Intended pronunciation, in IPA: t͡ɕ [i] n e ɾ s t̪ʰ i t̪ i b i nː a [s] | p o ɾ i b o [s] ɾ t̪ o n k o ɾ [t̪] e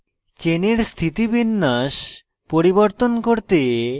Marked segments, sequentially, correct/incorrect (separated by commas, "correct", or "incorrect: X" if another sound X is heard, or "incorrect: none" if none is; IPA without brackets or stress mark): incorrect: e, incorrect: ʃ, incorrect: none, correct